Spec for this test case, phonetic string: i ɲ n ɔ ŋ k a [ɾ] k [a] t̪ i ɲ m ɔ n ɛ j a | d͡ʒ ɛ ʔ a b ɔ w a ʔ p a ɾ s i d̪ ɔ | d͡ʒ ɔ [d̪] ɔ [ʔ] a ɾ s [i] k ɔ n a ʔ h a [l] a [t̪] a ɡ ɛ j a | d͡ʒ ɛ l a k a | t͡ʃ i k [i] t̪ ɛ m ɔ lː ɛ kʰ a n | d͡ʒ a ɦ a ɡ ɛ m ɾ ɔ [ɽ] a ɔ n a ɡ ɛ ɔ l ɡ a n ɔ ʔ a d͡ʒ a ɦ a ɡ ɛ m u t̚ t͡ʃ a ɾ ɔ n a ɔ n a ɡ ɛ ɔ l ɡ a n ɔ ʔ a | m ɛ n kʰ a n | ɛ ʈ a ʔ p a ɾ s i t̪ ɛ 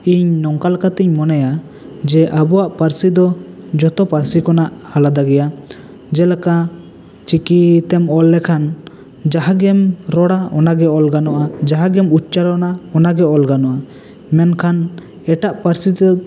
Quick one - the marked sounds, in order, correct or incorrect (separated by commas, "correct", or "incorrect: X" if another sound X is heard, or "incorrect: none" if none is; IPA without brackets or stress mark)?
incorrect: l, correct, incorrect: t̪, incorrect: p, correct, correct, incorrect: d̪, correct, correct